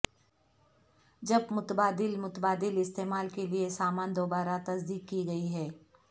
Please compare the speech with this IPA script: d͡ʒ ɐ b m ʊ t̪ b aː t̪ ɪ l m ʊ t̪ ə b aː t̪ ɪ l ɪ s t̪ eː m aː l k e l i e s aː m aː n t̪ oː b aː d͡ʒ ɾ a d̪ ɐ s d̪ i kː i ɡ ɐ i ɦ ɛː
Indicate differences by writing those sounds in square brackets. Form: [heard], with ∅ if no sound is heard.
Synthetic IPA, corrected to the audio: d͡ʒ ɐ b m ʊ t̪ b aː [d̪] ɪ l m ʊ t̪ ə b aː [d̪] ɪ l ɪ s t̪ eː m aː l k e l i e s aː m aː n [d̪] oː b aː [∅] ɾ a [t̪] ɐ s d̪ [iː] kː i ɡ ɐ i ɦ ɛː